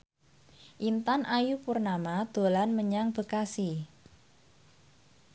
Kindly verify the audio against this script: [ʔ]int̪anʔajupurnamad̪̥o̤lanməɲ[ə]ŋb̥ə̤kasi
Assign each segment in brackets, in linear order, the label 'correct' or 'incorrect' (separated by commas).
correct, incorrect